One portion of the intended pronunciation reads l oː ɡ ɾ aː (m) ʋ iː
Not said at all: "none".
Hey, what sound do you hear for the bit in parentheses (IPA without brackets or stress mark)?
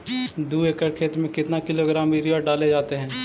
m